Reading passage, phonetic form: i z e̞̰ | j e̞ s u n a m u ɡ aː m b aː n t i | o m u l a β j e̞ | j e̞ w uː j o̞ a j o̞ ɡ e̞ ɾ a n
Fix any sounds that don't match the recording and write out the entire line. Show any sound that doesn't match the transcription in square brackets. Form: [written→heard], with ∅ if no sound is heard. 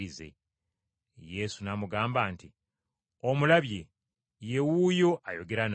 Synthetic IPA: i z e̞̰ | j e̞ s u n a m u ɡ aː m b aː n t i | o m u l a β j e̞ | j e̞ w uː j o̞ a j o̞ ɡ e̞ ɾ a n